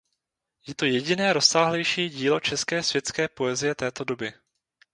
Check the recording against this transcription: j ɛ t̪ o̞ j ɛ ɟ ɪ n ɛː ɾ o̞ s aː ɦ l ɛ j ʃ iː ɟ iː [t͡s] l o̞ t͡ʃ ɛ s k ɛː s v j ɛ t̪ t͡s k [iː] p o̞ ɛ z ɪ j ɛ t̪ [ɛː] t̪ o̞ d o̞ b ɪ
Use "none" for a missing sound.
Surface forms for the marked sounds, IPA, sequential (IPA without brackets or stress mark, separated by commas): none, ɛː, ɛː